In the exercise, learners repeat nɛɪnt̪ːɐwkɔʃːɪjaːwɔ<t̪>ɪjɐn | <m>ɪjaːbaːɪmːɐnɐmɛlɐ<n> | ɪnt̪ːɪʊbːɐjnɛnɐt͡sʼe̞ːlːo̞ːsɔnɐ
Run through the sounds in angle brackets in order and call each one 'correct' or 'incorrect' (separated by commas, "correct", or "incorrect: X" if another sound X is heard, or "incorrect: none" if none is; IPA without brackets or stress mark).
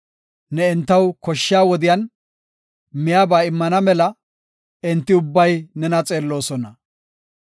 incorrect: d̪, correct, incorrect: none